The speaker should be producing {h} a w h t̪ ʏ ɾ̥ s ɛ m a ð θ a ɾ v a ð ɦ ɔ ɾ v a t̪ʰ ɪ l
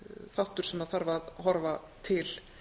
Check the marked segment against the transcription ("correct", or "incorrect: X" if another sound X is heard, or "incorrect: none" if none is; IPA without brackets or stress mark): incorrect: θ